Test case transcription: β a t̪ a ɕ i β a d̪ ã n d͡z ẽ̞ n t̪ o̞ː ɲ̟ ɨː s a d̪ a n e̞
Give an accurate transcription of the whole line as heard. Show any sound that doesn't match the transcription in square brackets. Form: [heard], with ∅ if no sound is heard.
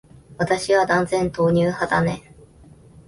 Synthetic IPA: β a t̪ a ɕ i β a d̪ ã n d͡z ẽ̞ n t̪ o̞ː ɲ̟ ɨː [h] a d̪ a n e̞